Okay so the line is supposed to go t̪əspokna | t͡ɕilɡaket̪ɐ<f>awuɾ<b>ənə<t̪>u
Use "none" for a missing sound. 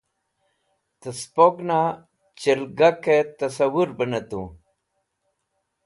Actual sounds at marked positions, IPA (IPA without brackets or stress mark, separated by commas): s, b, t̪